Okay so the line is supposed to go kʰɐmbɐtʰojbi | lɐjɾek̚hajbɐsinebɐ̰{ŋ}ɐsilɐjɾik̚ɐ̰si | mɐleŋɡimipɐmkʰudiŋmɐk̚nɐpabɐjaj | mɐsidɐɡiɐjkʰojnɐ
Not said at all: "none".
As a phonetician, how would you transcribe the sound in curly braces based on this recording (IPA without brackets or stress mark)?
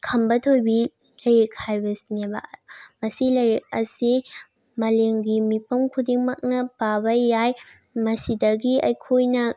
m